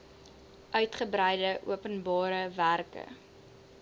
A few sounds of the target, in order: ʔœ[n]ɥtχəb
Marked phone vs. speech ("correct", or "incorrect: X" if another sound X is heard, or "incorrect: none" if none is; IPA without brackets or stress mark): incorrect: none